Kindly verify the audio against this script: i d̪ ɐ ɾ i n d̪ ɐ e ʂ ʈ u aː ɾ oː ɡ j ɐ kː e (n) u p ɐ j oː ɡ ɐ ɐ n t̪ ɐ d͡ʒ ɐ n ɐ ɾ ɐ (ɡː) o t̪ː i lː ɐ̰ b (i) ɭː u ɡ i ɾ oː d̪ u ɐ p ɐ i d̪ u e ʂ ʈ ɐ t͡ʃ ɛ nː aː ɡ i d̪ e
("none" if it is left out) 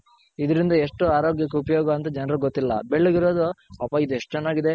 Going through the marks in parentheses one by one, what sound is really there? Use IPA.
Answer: none, ɡ, e

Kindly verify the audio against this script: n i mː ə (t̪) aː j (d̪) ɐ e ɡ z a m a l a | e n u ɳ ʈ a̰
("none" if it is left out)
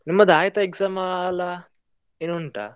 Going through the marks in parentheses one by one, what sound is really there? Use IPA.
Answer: d̪, t̪

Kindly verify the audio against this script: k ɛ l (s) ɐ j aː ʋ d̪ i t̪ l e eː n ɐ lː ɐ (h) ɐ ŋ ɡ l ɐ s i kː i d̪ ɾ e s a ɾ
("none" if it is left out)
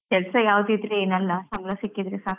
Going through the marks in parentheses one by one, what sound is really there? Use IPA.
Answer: s, s

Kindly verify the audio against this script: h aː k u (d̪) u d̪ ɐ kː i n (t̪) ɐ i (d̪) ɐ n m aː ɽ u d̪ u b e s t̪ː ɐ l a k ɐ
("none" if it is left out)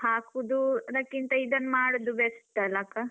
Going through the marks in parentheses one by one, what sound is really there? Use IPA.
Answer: d̪, t̪, d̪

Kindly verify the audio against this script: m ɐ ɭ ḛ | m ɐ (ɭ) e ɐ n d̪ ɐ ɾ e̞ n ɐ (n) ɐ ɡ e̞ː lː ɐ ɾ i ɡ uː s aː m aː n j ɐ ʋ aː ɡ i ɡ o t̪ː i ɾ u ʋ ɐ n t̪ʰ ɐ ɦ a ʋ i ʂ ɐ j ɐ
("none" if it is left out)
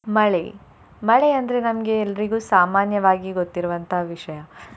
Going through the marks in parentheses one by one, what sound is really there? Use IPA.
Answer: ɭ, m

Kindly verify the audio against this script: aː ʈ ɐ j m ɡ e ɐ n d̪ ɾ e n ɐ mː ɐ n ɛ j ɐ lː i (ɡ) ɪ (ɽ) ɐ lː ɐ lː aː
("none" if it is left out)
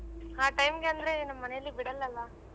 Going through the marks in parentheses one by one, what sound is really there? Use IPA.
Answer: b, ɽ

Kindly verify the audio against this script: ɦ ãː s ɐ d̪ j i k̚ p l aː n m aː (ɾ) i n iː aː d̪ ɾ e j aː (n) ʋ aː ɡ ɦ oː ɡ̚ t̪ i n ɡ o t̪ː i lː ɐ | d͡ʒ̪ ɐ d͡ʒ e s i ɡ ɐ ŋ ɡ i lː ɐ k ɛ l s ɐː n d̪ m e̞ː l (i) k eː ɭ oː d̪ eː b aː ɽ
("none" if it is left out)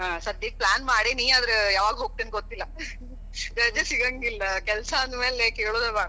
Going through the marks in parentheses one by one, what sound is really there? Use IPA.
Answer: ɽ, none, e

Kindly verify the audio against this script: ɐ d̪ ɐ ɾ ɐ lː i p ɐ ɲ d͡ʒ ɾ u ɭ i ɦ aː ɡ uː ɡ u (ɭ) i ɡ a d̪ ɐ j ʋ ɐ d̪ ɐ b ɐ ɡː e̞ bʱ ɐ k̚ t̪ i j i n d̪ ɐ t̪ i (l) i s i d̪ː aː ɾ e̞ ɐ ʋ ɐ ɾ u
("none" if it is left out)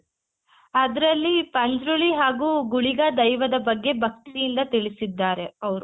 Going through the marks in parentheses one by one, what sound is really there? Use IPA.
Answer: ɭ, ɭ

